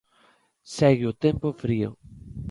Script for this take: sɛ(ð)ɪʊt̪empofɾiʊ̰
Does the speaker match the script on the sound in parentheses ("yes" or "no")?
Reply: no